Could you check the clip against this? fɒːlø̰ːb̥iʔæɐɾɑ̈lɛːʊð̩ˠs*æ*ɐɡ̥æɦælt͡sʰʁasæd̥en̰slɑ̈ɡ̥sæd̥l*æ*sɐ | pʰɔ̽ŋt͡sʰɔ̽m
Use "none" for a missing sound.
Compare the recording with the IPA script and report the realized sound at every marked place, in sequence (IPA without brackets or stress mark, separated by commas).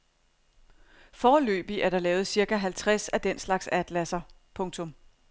i, æ